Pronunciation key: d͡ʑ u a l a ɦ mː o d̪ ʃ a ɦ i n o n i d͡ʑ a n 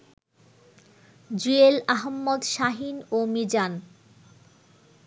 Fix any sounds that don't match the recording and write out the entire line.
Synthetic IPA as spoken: d͡ʑ u e l a ɦ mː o d̪ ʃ a ɦ i n o m i d͡ʑ a n